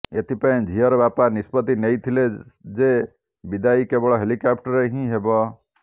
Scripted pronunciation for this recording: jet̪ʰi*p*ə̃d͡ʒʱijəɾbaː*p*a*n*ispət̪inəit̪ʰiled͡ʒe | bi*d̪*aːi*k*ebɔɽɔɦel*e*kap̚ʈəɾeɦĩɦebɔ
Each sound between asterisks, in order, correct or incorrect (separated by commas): correct, correct, correct, correct, correct, incorrect